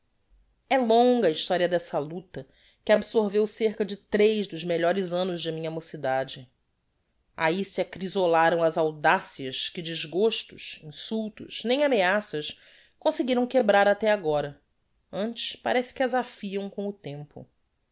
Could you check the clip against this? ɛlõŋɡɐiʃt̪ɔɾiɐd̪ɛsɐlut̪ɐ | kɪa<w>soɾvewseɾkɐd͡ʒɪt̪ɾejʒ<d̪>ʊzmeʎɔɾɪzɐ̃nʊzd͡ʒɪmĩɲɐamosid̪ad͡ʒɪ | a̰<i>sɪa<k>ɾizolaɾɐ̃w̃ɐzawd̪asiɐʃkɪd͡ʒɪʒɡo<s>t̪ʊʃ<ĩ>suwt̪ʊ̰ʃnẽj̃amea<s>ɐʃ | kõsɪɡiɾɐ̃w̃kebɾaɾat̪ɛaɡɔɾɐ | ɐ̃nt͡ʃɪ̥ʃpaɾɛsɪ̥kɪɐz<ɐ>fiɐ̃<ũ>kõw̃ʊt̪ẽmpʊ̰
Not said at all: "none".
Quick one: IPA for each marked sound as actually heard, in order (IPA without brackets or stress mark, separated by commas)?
b, d̪, i, k, ʃ, ĩ, s, a, w̃